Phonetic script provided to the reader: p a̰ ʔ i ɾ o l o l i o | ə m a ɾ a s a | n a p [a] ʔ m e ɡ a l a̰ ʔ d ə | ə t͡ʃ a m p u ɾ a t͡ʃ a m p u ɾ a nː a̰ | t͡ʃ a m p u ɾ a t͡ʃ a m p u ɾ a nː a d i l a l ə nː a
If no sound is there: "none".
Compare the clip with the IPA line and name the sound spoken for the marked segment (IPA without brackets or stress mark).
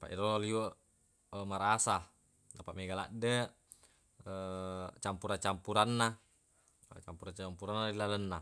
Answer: a